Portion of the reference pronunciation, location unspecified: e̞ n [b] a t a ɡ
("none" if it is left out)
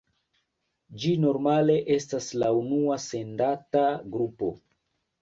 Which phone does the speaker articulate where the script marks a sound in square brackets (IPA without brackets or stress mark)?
d